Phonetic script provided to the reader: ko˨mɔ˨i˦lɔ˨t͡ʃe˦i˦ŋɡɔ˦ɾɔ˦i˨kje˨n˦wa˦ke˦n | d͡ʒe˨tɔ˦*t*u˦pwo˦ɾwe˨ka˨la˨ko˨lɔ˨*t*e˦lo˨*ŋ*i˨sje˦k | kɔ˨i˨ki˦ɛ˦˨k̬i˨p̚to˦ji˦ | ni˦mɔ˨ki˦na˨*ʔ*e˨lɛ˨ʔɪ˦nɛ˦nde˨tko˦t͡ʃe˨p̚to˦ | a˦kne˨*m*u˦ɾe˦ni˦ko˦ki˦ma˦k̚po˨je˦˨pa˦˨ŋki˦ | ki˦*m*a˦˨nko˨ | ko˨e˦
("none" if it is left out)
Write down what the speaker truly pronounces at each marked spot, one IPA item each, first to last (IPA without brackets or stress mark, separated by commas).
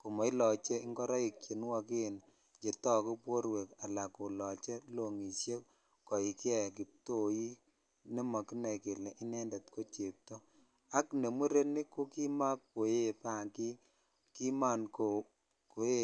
k, t͡ʃ, ŋ, k, m, m